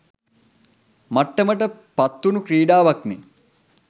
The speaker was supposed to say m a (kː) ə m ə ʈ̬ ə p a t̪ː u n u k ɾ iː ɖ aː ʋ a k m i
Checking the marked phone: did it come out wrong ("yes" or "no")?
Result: yes